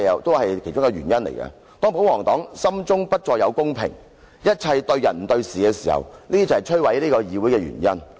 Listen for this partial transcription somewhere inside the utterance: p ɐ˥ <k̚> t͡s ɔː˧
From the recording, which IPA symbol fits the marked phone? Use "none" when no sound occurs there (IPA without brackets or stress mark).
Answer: t̚